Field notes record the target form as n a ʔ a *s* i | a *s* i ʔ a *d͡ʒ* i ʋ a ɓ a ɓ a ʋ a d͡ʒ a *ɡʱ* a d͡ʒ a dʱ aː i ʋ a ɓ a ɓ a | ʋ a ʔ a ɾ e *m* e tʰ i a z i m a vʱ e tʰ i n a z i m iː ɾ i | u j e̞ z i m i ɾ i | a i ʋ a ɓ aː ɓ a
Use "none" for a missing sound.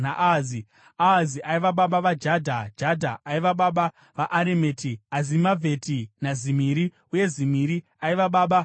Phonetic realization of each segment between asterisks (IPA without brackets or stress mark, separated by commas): z, z, none, dʱ, m